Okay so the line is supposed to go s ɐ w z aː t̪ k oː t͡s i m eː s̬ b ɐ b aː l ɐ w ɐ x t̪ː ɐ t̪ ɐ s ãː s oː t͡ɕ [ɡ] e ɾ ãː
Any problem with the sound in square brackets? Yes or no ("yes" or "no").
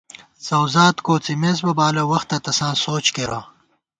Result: yes